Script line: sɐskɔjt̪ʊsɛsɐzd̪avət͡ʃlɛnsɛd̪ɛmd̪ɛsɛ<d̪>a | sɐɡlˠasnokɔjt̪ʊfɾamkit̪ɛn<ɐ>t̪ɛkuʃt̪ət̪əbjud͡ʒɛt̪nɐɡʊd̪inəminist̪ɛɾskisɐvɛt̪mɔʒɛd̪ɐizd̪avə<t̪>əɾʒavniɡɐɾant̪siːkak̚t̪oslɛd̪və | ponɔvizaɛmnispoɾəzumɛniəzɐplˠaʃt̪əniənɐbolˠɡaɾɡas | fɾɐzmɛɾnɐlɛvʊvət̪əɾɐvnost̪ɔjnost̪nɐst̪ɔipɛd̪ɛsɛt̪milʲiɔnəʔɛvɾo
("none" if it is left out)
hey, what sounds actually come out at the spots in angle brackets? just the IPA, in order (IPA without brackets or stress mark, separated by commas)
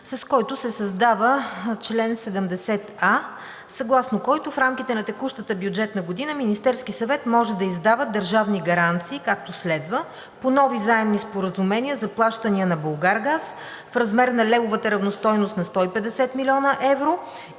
t̪, ɐ, d̪